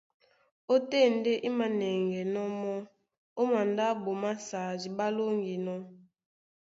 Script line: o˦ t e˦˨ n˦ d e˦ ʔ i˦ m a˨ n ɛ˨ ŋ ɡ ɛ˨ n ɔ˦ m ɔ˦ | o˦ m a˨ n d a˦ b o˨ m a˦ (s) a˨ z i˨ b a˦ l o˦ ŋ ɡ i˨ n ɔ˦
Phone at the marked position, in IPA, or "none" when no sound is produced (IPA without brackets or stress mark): s